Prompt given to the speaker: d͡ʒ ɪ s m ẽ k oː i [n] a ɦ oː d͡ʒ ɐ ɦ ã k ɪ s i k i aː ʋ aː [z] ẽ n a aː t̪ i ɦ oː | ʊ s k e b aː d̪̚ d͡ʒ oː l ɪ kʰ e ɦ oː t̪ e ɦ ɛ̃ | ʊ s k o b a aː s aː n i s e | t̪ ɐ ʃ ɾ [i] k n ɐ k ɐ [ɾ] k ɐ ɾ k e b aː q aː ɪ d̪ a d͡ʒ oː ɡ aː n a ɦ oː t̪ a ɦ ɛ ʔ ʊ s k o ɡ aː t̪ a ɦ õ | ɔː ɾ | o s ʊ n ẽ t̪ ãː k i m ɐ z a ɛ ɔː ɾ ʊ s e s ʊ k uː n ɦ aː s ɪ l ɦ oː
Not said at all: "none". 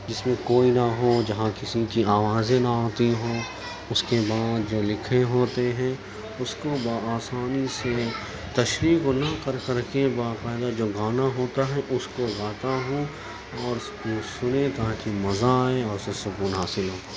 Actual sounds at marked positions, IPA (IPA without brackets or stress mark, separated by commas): n, z, iː, ɾ